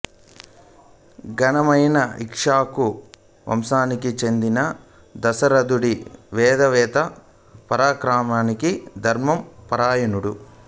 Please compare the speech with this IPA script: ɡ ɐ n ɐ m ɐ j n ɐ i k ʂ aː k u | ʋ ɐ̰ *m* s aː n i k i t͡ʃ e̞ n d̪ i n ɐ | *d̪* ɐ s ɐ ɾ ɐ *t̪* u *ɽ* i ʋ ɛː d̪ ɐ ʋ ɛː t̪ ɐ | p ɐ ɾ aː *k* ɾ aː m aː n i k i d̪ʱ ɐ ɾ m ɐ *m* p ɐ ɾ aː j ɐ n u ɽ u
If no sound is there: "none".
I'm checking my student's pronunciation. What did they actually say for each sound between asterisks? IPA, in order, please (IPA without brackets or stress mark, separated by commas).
m, d̪, d̪, ɽ, k, m